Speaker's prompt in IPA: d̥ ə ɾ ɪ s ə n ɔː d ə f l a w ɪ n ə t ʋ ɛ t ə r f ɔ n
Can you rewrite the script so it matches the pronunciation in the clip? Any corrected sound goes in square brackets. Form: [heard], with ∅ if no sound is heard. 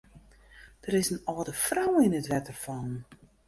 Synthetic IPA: d̥ ə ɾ ɪ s ə n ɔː d ə f [r] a w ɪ n ə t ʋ ɛ t ə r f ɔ n